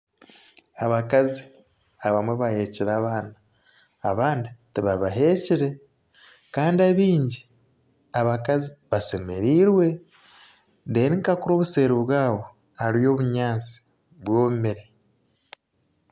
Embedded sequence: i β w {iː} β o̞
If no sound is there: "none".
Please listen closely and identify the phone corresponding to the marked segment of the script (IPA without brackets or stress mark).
aː